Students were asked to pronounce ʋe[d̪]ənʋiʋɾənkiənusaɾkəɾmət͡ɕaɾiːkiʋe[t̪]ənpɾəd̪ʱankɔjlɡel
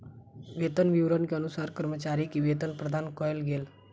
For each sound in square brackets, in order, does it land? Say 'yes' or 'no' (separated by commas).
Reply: no, yes